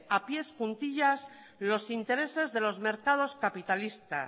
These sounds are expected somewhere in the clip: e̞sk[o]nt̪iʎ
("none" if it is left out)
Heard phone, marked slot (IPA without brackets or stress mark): u